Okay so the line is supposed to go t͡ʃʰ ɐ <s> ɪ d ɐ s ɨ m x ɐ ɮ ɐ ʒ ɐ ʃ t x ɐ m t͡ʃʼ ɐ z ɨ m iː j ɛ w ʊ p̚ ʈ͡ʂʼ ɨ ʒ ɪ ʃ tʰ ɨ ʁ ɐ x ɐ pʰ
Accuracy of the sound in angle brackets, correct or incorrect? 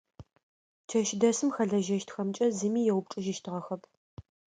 incorrect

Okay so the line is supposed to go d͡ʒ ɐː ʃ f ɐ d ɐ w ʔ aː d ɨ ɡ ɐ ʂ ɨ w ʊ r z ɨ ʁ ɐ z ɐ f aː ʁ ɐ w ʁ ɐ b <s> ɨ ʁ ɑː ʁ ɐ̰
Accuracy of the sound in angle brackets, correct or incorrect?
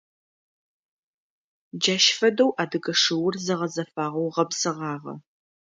correct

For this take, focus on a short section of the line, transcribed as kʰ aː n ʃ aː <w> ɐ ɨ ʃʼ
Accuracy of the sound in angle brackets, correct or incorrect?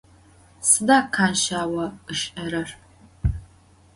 correct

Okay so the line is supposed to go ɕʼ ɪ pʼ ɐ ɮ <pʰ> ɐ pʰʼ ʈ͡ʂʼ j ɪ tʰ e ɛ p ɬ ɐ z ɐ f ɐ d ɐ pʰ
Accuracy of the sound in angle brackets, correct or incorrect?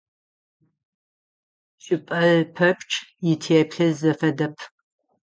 correct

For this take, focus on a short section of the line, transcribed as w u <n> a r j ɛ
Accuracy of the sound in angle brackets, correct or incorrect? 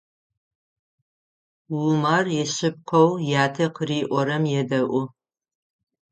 incorrect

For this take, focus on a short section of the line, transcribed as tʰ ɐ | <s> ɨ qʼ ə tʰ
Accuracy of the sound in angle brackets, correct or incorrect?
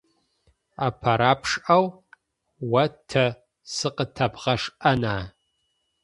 correct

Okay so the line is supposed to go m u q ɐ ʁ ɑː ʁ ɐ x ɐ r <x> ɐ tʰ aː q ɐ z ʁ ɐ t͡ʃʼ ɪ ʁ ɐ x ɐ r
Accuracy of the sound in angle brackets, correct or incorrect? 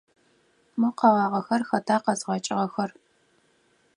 correct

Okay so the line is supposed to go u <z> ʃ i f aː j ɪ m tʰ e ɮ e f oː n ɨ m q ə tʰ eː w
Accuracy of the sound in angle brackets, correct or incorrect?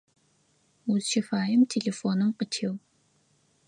correct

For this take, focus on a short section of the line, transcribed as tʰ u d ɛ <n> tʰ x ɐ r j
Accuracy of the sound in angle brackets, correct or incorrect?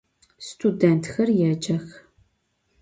correct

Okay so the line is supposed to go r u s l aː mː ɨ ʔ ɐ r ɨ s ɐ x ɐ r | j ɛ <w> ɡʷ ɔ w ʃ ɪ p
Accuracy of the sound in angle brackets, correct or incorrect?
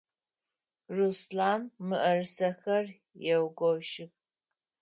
correct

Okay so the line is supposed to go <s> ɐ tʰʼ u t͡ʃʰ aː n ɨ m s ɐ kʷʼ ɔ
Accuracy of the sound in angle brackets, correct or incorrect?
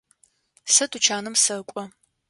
correct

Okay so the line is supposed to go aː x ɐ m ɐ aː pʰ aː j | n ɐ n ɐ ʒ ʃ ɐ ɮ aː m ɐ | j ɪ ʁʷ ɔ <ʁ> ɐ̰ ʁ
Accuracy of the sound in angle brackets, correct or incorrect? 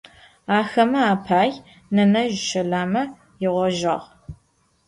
incorrect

